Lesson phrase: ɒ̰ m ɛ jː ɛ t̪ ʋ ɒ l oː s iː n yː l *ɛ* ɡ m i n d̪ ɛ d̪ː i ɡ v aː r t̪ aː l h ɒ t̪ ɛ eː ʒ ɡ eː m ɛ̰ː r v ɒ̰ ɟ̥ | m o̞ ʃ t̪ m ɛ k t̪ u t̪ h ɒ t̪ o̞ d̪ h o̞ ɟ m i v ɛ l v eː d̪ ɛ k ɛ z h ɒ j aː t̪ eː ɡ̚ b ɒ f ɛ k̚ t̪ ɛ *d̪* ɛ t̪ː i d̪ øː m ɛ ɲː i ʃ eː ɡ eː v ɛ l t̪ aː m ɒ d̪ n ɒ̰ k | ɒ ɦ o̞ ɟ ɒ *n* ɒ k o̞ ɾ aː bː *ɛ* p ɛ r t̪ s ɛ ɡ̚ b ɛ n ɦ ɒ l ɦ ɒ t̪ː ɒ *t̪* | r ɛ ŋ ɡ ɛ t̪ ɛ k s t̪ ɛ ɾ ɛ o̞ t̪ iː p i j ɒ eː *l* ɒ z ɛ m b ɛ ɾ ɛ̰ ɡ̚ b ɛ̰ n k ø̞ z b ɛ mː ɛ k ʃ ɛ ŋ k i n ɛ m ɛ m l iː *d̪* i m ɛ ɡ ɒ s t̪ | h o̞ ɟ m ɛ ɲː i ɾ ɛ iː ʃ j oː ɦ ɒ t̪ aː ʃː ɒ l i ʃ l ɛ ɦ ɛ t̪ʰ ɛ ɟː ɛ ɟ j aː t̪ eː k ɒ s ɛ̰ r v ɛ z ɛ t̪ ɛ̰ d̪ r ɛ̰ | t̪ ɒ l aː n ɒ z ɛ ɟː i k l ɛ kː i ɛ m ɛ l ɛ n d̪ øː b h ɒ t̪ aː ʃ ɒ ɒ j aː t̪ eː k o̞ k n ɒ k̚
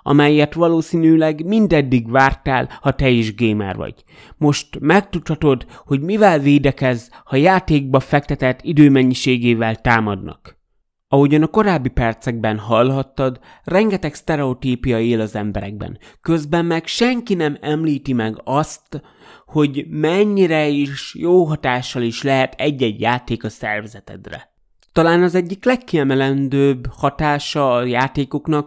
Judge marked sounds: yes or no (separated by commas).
yes, no, yes, no, no, yes, no